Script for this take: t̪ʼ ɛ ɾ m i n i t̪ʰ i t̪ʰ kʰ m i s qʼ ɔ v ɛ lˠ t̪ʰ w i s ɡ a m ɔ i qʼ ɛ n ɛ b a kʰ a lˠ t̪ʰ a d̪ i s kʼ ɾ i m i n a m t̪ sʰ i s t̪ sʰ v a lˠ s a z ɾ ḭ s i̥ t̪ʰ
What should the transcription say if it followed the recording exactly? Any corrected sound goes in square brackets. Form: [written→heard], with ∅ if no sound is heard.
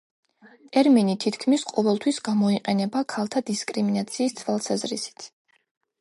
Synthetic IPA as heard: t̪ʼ ɛ ɾ m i n i t̪ʰ i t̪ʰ kʰ m i s qʼ ɔ v ɛ lˠ t̪ʰ w i s ɡ a m ɔ i qʼ ɛ n ɛ b a kʰ a lˠ t̪ʰ a d̪ i s kʼ ɾ i m i n a [m→∅] t̪ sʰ [i→iː] s t̪ sʰ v a lˠ s a z ɾ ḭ s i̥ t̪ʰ